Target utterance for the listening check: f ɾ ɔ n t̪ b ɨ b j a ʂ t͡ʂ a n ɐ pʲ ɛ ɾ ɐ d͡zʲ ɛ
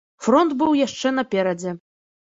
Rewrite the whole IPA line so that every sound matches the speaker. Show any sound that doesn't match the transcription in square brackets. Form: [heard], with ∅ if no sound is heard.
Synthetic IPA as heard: f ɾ ɔ n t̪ b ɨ [w] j a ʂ t͡ʂ [ɛ] n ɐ pʲ ɛ ɾ ɐ d͡zʲ ɛ